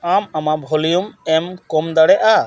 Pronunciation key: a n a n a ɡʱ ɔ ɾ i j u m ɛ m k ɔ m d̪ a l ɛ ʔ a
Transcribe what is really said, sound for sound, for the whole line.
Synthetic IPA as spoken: a m a m a bʱ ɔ l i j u m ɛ m k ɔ m d̪ a ɽ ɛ ʔ a